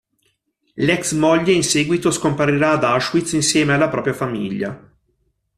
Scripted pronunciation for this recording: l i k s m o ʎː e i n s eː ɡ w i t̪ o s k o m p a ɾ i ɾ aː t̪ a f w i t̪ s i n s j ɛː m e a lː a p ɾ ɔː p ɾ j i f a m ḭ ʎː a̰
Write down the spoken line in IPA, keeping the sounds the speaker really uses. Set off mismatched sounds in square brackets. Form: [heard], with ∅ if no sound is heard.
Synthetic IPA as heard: l [ɛ] k s m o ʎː e i n s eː ɡ w i t̪ o s k o m p a ɾ i ɾ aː [d̪] a [ʃ] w i t̪ s i n s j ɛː m e a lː a p ɾ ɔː p ɾ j [a] f a m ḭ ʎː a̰

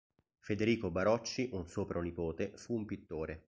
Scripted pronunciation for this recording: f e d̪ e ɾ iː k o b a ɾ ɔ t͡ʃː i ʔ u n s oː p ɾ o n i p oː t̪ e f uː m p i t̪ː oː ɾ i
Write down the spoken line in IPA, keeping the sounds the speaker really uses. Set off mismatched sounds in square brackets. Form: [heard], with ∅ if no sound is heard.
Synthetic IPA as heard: f e d̪ e ɾ iː k o b a ɾ ɔ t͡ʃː i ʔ u n s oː p ɾ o n i p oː t̪ e f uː m p i t̪ː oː ɾ [e]

